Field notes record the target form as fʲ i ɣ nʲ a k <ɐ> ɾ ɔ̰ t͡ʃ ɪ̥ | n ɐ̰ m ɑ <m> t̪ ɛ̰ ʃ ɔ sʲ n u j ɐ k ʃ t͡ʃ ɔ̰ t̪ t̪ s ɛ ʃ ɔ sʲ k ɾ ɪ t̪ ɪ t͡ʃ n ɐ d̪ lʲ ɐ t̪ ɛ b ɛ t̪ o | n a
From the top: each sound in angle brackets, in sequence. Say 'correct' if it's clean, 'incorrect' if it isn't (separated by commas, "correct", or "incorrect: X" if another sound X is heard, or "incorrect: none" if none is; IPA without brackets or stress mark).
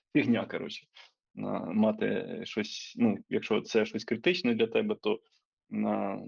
correct, incorrect: none